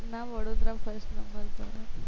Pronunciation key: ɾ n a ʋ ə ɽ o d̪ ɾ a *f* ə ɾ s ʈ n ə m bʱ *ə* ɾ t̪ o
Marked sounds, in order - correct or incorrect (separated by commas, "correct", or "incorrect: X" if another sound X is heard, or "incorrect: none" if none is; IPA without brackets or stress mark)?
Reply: correct, correct